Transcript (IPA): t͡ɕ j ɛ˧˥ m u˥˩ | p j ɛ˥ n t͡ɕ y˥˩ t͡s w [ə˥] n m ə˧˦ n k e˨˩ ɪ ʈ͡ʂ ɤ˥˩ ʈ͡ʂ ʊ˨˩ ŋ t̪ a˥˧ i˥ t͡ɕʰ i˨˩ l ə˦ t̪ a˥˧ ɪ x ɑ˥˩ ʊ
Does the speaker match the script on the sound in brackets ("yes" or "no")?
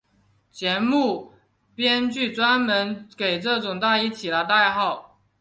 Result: no